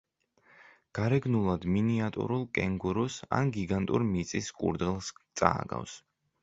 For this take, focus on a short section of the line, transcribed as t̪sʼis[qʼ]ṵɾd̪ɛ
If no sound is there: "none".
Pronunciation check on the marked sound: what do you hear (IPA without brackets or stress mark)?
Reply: kʼ